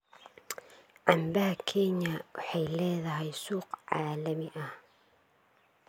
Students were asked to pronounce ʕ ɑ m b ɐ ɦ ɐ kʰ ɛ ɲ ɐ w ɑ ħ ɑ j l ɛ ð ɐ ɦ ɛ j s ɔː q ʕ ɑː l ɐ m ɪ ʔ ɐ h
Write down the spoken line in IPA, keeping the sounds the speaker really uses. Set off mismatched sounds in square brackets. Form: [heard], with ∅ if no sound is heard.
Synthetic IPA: ʕ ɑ m b ɐ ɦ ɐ kʰ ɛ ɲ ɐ w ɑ ħ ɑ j l [ɛː] ð ɐ ɦ ɛ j s [uː] q ʕ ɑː l ɐ m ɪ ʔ ɐ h